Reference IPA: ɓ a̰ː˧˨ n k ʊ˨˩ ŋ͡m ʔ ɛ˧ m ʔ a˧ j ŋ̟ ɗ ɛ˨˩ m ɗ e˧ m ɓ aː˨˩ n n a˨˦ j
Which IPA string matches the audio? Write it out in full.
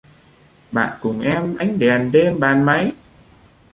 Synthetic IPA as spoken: ɓ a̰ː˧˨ n k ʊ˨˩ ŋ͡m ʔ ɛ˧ m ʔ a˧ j ŋ̟ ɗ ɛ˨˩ n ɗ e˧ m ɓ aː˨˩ n m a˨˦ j